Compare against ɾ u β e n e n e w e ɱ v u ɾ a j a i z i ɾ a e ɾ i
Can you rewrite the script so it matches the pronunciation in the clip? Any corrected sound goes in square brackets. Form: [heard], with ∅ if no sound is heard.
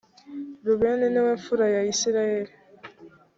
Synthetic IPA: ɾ u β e n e n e w e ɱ [f] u ɾ a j a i [s] i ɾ a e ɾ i

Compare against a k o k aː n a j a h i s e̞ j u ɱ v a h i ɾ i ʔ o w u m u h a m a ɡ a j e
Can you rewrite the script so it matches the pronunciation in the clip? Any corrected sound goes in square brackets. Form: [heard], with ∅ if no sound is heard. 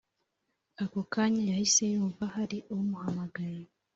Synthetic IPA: a k o k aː [ɲ] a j a h i s e̞ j [uː] ɱ v a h [a] ɾ i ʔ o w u m u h a m a ɡ a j e

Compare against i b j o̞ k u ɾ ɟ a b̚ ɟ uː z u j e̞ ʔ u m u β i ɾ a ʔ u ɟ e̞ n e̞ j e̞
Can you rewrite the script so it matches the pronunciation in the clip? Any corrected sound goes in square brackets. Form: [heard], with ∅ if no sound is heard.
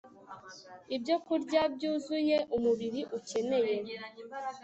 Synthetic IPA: i b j o̞ k u ɾ ɟ a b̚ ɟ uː z u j e̞ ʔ u m u β i ɾ [i] ʔ u [c] e̞ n e̞ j e̞

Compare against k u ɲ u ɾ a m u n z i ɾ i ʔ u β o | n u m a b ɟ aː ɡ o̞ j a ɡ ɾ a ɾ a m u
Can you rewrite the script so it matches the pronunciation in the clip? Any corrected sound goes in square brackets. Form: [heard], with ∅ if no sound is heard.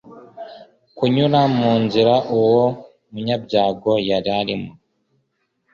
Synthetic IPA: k u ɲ u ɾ a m [uː] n z i ɾ [a] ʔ u [w] o | [m] u [ɲ] a b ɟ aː ɡ o̞ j a [∅] ɾ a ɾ [i] m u

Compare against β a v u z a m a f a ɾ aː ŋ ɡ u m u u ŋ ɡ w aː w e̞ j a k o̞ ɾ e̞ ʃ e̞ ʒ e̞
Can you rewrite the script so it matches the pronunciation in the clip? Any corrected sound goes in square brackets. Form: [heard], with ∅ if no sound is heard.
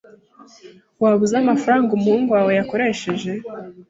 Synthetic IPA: [w] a [β] u z a m a f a ɾ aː ŋ ɡ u m u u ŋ ɡ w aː w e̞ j a k o̞ ɾ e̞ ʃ e̞ ʒ e̞

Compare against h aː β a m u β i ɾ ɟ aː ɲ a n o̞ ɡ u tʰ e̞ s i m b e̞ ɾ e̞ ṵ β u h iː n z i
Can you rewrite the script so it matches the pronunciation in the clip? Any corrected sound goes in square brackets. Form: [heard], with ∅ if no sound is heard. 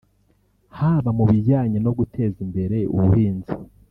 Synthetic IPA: h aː β a m u β i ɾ ɟ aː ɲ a n o̞ ɡ u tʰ e̞ [z] i m b e̞ ɾ e̞ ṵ β u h iː n z i

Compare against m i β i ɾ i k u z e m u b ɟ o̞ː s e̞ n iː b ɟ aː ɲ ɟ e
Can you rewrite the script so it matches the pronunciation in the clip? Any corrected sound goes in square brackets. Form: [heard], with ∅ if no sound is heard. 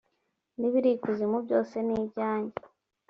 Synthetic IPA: [n] i β i ɾ i k u z [i] m u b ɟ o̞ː s e̞ n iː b ɟ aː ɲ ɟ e

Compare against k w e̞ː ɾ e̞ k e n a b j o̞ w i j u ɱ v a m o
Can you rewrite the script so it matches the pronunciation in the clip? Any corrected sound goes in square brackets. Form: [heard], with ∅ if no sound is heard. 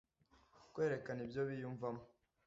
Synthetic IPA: k w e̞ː ɾ e̞ k [a] n [i] b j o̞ [β] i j u ɱ v a m o

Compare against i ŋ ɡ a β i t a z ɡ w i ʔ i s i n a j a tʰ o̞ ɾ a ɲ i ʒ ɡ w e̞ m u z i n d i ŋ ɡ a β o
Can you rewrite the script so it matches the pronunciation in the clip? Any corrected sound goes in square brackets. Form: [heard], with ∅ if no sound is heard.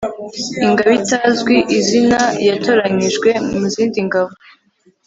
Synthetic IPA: i ŋ ɡ a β i t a z ɡ w i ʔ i [z] i n a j a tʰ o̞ ɾ a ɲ i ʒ ɡ w e̞ m u z [iː] n d i ŋ ɡ a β o

